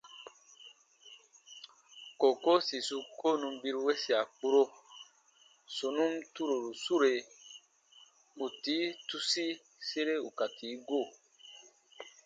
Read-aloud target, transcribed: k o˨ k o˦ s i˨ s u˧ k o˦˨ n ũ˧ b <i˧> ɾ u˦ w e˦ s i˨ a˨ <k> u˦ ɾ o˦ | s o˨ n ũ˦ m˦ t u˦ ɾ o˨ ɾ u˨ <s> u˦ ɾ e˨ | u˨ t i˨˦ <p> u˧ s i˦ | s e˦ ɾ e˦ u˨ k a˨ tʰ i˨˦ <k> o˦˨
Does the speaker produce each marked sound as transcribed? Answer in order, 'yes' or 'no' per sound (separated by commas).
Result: yes, no, yes, no, no